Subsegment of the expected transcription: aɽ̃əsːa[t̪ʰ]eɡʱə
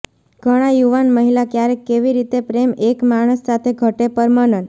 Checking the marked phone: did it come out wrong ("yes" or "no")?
no